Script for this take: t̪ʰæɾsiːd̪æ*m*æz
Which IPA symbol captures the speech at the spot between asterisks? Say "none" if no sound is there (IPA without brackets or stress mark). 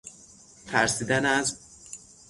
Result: n